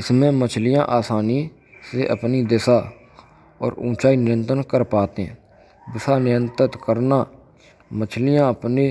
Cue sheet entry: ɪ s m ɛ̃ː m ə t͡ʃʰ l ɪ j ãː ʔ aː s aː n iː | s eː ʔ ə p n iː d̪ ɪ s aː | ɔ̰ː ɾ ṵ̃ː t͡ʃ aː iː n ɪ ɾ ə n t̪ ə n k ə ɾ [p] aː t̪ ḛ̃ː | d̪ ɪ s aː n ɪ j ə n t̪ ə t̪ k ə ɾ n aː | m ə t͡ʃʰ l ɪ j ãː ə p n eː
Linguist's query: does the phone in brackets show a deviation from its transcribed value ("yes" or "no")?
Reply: no